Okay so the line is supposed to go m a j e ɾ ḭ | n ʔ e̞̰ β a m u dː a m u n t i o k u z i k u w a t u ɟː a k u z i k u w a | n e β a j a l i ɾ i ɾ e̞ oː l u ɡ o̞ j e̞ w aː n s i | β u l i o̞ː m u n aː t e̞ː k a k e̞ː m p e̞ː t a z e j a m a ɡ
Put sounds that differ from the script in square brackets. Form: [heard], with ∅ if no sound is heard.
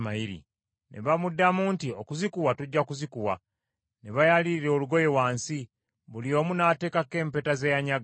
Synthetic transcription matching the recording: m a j [i] ɾ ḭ | n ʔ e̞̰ β a m u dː a m u n t i o k u z i k u w a t u ɟː a k u z i k u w a | n e β a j a l i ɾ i ɾ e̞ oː l u ɡ o̞ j e̞ w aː n s i | β u l i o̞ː m u n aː t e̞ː k a k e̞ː m p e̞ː t a z e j a [ɲ] a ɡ

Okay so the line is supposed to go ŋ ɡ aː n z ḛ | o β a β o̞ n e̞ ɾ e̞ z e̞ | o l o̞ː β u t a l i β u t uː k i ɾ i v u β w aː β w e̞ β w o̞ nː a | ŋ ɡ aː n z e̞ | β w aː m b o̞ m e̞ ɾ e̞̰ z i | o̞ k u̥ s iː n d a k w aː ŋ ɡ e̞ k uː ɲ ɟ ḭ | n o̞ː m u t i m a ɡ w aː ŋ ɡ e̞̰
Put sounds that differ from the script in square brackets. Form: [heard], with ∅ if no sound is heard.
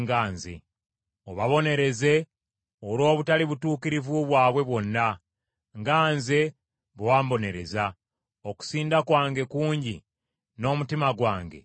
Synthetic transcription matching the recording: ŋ ɡ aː n z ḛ | o β a β o̞ n e̞ ɾ e̞ z e̞ | o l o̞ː β u t a l i β u t uː k i ɾ i v u β w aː β w e̞ β w o̞ nː a | ŋ ɡ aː n z e̞ | β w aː m b o̞ [n] e̞ ɾ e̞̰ z [a] | o̞ k u̥ s iː n d a k w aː ŋ ɡ e̞ k uː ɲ ɟ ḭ | n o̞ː m u t i m a ɡ w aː ŋ ɡ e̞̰

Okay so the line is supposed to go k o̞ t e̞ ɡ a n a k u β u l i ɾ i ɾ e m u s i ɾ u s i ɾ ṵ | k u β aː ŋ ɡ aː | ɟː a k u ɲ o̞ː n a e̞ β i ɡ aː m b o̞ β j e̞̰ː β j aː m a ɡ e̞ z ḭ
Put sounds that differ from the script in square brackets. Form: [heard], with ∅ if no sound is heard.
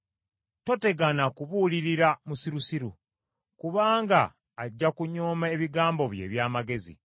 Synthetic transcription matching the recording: [t] o̞ t e̞ ɡ a n a k u β u l i ɾ i ɾ [a] m u s i ɾ u s i ɾ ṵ | k u β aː ŋ ɡ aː | ɟː a k u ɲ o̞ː [m] a e̞ β i ɡ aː m b o̞ β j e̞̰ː β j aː m a ɡ e̞ z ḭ

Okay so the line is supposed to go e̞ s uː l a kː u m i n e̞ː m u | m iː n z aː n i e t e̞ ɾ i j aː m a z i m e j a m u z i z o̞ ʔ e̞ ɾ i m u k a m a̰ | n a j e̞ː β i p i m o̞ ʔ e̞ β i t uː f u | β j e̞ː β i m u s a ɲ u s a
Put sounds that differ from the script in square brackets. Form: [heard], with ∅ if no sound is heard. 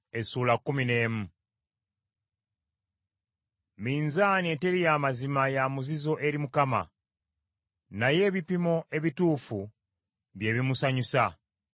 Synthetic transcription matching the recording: e̞ s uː l a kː u m i n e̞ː m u | m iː n z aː n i e t e̞ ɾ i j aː m a z i m [a] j a m u z i z o̞ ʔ e̞ ɾ i m u k a m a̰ | n a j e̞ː β i p i m o̞ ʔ e̞ β i t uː f u | β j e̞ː β i m u s a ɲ u s a

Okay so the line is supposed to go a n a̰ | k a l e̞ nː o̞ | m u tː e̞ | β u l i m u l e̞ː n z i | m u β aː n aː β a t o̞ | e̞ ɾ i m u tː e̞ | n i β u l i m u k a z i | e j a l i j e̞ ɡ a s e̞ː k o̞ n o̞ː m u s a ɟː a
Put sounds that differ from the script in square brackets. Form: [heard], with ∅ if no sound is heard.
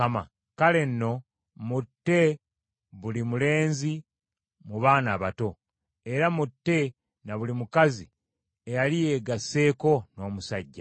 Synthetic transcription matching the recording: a [m] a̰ | k a l e̞ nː o̞ | m u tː e̞ | β u l i m u l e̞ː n z i | m u β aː n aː β a t o̞ | e̞ ɾ [a] m u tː e̞ | n [a] β u l i m u k a z i | e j a l i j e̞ ɡ a s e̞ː k o̞ n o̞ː m u s a ɟː a

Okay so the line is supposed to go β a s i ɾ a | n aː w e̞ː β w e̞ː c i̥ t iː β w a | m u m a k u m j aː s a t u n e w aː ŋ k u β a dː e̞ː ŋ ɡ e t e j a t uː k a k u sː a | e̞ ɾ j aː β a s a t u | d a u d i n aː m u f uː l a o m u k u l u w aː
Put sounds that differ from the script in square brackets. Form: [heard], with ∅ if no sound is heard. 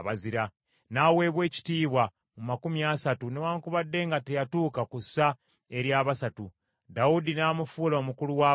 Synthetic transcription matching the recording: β a [z] i ɾ a | n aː w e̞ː β w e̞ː c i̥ t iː β w a | m u m a k u m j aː s a t u n e w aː ŋ k u β a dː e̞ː ŋ ɡ [a] t e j a t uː k a k u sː a | e̞ ɾ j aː β a s a t u | d a u d i n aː m u f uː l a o m u k u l u w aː

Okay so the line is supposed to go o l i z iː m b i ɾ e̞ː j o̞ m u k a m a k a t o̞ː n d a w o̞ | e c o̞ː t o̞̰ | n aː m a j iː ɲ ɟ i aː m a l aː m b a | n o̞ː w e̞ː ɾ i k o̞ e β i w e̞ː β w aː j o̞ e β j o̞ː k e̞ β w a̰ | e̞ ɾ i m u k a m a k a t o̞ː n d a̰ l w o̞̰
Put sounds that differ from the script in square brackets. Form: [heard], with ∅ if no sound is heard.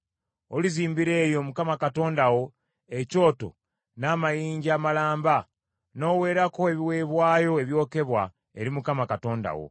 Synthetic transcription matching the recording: o l i z iː m b i ɾ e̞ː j o̞ m u k a m a k a t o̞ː n d a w o̞ | e c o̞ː t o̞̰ | n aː m a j iː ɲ ɟ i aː m a l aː m b a | n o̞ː w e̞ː ɾ [a] k o̞ e β i w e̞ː β w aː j o̞ e β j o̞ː k e̞ β w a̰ | e̞ ɾ i m u k a m a k a t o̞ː n d a̰ [∅] w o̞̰

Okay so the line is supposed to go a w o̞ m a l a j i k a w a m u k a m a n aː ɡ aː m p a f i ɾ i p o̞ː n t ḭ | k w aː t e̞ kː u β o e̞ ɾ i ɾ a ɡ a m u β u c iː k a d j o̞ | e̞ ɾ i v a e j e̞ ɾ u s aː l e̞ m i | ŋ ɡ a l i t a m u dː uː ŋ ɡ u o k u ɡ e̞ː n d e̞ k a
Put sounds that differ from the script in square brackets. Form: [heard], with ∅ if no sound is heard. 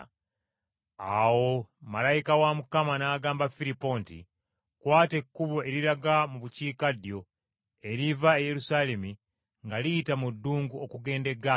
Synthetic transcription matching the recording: a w o̞ m a l a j i k a w a m u k a m a n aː ɡ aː m [b] a f i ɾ i p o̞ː n t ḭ | k w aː t e̞ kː u β o e̞ ɾ i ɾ a ɡ a m u β u c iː k a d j o̞ | e̞ ɾ i v a e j e̞ ɾ u s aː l e̞ m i | ŋ ɡ a l i t a m u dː uː ŋ ɡ u o k u ɡ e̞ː n d e̞ [ɡ] a

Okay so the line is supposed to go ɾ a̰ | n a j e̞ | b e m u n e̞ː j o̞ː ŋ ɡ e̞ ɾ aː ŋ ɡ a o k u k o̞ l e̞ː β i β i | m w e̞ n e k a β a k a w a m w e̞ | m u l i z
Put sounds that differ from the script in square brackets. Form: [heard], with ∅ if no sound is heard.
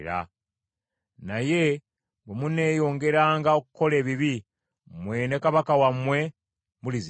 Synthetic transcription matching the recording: ɾ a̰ | n a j e̞ | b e m u n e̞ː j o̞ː ŋ ɡ e̞ ɾ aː ŋ ɡ a o k u k o̞ l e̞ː β i β i | m w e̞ n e k a β a k a w a m w e̞ | m u l i z

